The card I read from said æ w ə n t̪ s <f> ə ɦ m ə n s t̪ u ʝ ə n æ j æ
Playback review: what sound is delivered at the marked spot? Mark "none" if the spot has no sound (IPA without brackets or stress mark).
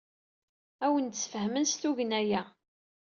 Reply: f